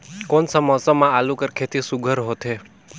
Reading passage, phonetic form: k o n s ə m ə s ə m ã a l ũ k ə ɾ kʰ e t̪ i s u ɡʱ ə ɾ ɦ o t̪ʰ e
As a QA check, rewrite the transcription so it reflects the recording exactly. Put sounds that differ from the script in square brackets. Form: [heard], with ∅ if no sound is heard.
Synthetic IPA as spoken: k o n s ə m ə s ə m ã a l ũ k ə ɾ kʰ e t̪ i s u ɡʱ ə ɾ ɦ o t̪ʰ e